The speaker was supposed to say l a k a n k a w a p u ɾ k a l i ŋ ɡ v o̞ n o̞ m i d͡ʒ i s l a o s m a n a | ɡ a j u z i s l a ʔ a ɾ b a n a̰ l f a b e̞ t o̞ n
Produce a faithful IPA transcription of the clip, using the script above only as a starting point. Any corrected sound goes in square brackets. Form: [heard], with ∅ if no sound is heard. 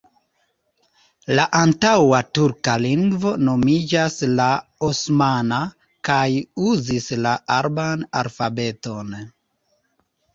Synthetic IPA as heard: l a [ʔ] a n [t] a w a [t] u ɾ k a l i ŋ ɡ v o̞ n o̞ m i d͡ʒ [a] s l a o s m a n a | [k] a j u z i s l a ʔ a ɾ b a n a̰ l f a b e̞ t o̞ n